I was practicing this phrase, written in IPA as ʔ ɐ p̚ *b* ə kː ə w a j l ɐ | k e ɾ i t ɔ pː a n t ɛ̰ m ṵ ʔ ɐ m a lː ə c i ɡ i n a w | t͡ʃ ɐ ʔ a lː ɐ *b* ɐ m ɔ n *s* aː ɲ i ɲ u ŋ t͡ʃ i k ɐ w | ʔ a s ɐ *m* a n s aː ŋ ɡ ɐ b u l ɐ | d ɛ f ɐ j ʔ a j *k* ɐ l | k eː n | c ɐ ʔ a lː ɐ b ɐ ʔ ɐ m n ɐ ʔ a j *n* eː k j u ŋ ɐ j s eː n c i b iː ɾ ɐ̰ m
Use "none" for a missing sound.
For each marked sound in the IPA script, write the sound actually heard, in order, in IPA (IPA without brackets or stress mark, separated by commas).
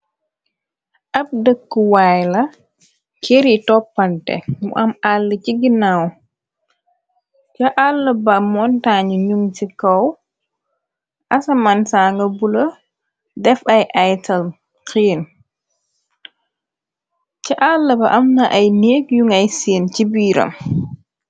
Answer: d, b, t, m, t, n